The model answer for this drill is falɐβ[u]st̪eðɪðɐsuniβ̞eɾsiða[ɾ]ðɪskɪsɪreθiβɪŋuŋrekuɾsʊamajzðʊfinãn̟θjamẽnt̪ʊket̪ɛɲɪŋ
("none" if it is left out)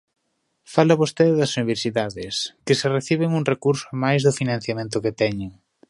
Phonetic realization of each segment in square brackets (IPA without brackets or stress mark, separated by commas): o, none